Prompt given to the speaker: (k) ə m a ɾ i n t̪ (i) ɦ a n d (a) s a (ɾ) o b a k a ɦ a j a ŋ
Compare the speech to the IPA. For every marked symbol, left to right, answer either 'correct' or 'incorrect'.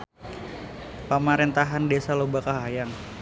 incorrect, incorrect, incorrect, incorrect

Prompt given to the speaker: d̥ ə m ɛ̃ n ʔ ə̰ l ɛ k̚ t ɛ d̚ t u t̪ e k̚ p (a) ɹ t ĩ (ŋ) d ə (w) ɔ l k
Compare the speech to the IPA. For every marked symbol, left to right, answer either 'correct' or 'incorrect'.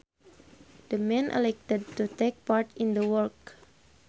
correct, incorrect, correct

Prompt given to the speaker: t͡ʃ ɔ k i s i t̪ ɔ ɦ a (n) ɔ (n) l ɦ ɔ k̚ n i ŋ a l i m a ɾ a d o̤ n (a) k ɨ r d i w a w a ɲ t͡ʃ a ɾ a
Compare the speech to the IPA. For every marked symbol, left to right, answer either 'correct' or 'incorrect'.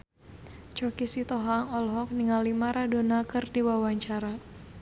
incorrect, incorrect, correct

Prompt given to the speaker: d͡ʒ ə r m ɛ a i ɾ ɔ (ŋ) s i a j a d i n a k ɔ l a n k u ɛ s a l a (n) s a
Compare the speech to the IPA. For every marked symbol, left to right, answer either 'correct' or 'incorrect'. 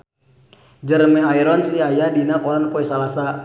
incorrect, incorrect

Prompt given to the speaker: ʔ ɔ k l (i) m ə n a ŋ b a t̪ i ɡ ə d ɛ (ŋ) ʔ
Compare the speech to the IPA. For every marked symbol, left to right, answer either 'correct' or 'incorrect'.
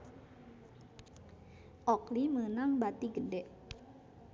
correct, incorrect

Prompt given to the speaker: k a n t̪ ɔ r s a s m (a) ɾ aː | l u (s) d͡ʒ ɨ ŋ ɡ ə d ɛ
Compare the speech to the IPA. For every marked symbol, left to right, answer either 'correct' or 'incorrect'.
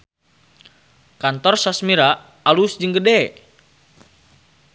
incorrect, correct

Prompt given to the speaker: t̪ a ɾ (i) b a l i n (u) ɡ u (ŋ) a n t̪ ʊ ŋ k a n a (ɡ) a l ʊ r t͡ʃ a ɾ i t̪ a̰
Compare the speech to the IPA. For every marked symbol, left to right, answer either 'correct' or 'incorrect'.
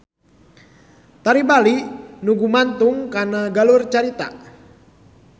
correct, correct, incorrect, correct

